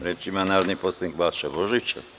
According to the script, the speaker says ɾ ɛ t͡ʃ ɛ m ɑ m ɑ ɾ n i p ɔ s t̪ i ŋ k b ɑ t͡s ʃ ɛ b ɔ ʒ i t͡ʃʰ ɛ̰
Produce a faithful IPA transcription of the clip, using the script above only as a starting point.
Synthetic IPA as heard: ɾ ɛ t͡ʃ i m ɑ n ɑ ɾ n i p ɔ s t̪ i ŋ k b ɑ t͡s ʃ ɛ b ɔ ʒ i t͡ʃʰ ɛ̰